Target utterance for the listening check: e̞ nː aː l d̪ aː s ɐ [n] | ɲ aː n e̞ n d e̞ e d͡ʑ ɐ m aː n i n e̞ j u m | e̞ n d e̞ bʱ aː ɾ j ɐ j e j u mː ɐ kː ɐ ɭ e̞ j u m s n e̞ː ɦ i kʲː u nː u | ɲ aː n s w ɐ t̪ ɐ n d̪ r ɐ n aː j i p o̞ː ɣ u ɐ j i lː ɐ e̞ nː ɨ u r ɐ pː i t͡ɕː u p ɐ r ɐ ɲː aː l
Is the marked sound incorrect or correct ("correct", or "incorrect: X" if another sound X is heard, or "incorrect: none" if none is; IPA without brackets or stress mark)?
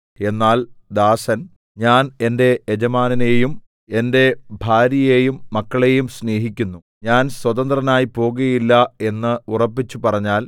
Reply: correct